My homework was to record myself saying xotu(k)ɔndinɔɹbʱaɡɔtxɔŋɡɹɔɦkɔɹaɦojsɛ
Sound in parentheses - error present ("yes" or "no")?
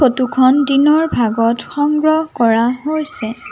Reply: yes